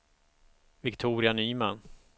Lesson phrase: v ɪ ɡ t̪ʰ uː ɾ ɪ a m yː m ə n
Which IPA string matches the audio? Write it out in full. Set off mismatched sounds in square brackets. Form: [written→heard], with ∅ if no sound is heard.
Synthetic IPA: v ɪ [ɡ→k] t̪ʰ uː ɾ ɪ a [m→n] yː m [ə→a] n